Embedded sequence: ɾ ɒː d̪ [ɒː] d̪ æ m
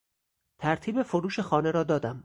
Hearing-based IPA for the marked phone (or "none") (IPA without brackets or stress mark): ɒː